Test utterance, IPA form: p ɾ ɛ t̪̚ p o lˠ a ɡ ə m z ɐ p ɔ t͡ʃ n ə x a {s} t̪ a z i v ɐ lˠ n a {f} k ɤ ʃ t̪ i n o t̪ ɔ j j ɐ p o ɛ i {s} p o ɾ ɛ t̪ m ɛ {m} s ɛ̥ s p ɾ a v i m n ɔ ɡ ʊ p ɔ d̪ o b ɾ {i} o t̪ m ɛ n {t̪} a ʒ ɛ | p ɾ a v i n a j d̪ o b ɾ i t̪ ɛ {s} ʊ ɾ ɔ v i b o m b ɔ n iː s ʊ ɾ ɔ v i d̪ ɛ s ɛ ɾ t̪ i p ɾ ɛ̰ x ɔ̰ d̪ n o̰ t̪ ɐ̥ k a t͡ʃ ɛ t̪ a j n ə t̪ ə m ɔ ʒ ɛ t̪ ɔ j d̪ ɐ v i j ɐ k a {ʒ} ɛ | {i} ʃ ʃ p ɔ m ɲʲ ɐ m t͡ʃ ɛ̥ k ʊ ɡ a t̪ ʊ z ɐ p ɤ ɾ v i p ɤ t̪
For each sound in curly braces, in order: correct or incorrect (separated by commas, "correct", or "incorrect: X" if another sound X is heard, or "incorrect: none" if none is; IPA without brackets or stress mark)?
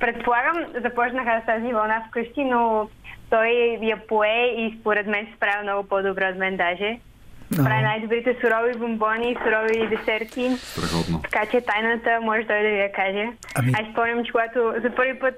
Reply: correct, correct, correct, incorrect: n, incorrect: ɛ, incorrect: d̪, correct, correct, incorrect: a